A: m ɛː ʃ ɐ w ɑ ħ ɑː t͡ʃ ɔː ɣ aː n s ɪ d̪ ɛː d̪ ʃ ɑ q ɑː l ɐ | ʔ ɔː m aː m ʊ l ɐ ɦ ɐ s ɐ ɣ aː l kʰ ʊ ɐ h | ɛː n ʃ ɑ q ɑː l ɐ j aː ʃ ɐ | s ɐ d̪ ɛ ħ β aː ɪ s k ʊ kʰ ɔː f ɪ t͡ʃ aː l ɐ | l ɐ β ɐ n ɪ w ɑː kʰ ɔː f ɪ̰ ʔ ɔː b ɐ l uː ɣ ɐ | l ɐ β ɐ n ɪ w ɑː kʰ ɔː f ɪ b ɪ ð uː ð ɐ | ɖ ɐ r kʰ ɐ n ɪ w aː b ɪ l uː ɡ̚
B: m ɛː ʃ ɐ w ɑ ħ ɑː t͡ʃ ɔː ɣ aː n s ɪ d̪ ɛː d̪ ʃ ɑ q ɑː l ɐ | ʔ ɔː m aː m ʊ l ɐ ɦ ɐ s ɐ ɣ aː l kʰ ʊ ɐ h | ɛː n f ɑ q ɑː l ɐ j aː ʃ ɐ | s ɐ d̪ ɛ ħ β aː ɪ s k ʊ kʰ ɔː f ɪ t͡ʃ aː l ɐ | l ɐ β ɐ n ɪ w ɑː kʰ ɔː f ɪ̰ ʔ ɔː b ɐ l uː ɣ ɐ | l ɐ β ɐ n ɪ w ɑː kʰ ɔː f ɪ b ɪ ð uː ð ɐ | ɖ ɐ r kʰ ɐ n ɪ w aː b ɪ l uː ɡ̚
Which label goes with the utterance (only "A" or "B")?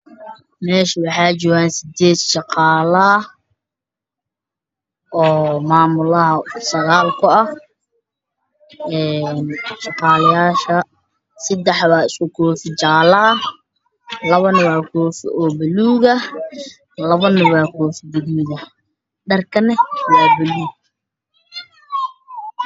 A